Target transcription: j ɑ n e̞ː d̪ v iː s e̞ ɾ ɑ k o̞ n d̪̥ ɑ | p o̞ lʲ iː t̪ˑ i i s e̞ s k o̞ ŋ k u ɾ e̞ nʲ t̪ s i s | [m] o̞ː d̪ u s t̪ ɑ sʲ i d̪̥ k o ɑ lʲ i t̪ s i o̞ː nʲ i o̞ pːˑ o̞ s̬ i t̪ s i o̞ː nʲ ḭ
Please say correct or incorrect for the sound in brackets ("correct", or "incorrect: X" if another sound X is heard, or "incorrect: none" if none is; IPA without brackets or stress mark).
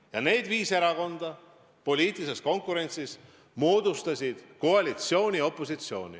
correct